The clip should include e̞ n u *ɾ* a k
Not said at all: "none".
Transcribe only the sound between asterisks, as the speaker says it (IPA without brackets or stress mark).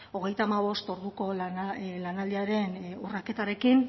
r